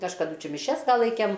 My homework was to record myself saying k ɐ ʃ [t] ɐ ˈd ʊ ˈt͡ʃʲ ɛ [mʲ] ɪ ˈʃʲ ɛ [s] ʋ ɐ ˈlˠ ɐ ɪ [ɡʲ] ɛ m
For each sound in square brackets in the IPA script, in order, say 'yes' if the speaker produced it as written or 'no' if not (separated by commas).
no, yes, yes, no